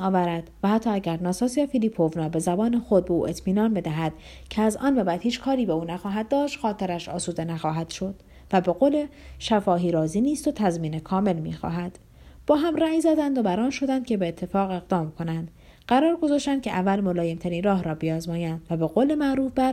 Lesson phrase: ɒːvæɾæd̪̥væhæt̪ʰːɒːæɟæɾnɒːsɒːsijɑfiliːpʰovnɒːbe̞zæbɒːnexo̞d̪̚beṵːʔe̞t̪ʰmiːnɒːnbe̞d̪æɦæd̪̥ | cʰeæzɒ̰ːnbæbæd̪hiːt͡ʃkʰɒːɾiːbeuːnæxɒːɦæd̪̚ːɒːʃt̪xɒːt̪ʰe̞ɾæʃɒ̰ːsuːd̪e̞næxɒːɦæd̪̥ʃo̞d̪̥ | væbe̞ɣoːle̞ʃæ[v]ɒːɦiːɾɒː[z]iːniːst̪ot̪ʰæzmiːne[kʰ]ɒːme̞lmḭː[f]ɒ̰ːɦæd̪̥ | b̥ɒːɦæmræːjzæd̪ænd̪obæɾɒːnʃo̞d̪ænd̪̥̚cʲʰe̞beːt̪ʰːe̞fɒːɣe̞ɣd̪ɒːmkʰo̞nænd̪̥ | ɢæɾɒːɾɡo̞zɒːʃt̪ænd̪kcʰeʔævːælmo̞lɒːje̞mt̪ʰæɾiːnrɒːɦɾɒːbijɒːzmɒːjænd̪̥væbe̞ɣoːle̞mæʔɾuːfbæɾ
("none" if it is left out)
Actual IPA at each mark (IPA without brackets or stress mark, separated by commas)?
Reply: f, z, kʰ, x